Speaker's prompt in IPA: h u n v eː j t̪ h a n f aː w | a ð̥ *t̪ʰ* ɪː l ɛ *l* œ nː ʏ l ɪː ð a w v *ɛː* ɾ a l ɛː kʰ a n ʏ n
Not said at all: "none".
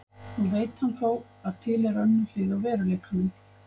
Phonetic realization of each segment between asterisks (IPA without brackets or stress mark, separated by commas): t̪ʰ, ɾ, ɛː